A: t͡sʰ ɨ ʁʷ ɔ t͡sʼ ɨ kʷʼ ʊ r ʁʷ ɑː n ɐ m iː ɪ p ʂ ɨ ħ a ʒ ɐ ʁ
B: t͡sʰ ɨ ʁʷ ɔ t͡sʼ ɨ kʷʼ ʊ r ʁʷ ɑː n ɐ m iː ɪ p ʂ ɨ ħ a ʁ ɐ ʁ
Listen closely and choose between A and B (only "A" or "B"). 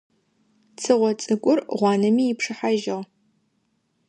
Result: A